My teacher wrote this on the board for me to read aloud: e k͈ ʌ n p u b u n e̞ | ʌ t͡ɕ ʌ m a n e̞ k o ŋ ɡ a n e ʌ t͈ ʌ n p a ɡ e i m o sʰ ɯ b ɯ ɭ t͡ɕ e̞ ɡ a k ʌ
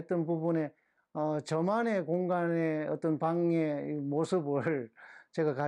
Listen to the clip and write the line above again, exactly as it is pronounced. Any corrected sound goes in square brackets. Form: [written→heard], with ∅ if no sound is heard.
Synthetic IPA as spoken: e [k͈→t͈] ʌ n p u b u n e̞ | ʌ t͡ɕ ʌ m a n e̞ k o ŋ ɡ a n e ʌ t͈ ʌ n p a [ɡ→ŋ] e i m o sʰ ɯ b ɯ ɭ t͡ɕ e̞ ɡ a k [ʌ→a]